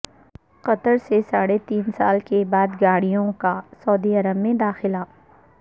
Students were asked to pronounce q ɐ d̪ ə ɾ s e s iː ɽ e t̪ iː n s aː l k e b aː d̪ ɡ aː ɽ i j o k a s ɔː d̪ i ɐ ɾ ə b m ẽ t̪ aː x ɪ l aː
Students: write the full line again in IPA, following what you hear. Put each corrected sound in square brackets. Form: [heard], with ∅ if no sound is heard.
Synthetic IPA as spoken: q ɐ [t̪] ə ɾ s e s [aː] ɽ e t̪ iː n s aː l k e b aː d̪ ɡ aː ɽ i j [õ] k a s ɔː d̪ i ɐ ɾ ə b m ẽ [d̪] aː x ɪ l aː